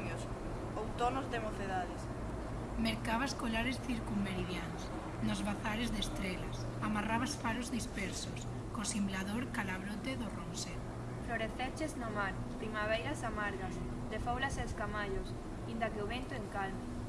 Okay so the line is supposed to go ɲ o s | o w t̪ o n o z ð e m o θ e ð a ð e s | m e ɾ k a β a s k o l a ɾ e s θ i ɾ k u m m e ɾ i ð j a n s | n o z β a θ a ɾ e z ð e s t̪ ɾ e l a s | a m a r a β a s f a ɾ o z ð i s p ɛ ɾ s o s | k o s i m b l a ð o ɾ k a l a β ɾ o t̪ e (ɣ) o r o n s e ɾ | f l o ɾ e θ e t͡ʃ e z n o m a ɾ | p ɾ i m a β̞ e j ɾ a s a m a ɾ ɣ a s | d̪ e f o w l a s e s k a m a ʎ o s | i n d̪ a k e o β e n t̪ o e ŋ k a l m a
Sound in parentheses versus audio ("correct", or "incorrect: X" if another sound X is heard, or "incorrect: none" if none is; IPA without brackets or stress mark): incorrect: ð